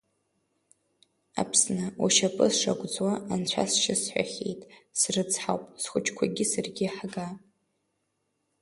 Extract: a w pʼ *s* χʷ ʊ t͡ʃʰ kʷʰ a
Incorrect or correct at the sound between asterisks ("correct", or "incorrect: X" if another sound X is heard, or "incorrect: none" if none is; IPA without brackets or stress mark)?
correct